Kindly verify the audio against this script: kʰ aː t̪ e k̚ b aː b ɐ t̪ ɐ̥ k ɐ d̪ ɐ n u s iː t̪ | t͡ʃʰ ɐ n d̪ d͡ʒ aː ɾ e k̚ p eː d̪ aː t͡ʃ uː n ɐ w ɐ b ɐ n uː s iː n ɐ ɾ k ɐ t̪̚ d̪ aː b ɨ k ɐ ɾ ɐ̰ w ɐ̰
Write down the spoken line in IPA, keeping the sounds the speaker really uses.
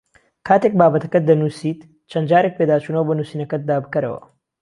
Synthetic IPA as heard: kʰ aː t̪ e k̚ b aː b ɐ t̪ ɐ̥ k ɐ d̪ ɐ n u s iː t̪ | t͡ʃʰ ɐ n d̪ d͡ʒ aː ɾ e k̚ p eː d̪ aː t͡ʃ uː n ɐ w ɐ b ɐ n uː s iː n ɐ k ɐ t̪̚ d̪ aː b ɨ k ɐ ɾ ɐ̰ w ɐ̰